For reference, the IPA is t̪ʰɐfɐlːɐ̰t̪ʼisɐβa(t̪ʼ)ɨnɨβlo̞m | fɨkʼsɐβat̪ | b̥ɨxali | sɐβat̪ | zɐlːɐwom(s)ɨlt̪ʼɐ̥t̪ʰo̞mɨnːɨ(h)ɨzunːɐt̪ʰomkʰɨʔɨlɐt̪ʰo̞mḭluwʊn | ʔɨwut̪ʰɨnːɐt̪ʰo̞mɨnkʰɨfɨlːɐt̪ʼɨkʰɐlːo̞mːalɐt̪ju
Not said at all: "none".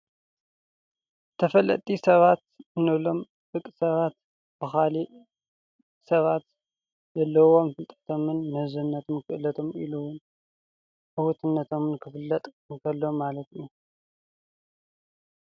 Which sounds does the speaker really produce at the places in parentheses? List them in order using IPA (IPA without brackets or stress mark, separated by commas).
t̪, f, h